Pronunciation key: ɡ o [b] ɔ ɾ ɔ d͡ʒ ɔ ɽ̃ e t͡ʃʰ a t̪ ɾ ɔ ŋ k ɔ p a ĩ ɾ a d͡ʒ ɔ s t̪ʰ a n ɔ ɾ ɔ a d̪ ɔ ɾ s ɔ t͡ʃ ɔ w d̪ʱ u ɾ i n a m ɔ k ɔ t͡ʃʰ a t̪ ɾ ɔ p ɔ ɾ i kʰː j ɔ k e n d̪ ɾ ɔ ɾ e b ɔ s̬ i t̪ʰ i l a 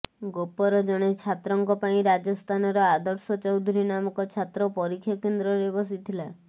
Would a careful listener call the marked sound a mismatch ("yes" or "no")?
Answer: yes